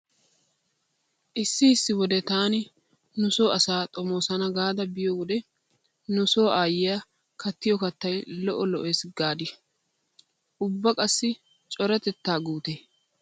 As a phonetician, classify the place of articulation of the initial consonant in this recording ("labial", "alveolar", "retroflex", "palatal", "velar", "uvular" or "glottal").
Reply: glottal